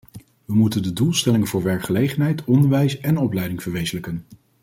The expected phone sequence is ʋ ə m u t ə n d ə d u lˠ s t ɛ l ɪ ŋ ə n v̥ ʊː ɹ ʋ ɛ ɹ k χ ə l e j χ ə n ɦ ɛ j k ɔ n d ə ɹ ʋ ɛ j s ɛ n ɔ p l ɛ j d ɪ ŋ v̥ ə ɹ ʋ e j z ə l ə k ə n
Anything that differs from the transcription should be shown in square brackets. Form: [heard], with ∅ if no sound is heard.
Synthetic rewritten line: ʋ ə m u t ə n d ə d u lˠ s t ɛ l ɪ ŋ ə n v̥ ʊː ɹ ʋ ɛ ɹ k χ ə l e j χ ə n ɦ ɛ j [t] ɔ n d ə ɹ ʋ ɛ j s ɛ n ɔ p l ɛ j d ɪ ŋ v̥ ə ɹ ʋ e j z ə l ə k ə n